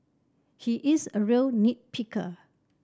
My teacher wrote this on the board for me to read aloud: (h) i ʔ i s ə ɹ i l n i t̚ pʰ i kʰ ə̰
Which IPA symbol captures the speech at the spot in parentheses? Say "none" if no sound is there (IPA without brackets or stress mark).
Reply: h